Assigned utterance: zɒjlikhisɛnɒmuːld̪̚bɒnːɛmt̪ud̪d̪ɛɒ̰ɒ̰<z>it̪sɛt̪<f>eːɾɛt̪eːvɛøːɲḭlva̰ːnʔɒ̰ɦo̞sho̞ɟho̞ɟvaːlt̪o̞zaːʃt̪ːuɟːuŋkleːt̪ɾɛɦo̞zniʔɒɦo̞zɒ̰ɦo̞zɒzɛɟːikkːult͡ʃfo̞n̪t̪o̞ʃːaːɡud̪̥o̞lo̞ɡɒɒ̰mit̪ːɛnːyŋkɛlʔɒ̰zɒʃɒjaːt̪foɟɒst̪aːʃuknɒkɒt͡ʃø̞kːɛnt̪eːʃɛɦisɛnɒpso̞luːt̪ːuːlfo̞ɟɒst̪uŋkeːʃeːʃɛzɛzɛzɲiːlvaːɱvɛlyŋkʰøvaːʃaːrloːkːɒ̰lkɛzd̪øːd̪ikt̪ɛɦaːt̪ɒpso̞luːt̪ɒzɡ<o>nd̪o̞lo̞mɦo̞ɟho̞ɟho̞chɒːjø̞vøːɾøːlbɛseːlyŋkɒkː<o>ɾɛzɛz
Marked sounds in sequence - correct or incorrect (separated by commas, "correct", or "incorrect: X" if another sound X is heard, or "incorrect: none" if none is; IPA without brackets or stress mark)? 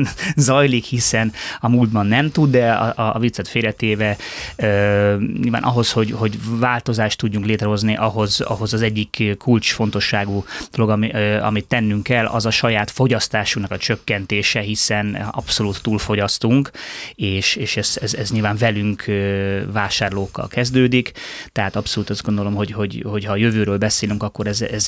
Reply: incorrect: v, correct, correct, correct